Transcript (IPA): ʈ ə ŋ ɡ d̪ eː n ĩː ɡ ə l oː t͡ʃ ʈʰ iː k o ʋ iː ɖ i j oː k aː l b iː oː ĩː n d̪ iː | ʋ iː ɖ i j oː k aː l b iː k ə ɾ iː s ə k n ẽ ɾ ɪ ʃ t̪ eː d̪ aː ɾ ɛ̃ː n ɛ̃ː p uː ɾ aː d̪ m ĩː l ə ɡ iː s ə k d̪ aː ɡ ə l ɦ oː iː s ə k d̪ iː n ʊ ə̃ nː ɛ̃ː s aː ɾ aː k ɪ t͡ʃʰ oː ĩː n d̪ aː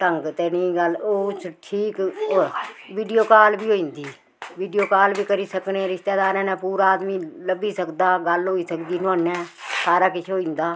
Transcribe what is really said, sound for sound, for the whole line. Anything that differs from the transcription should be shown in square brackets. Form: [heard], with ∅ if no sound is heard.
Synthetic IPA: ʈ ə ŋ ɡ [t̪] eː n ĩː ɡ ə l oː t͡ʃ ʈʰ iː k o ʋ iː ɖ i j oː k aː l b iː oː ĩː n d̪ iː | ʋ iː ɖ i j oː k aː l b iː k ə ɾ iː s ə k n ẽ ɾ ɪ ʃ t̪ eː d̪ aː ɾ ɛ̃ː n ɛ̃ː p uː ɾ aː d̪ m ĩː l ə [b] iː s ə k d̪ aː ɡ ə l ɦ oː iː s ə k d̪ iː n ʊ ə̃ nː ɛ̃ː s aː ɾ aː k ɪ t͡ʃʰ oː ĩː n d̪ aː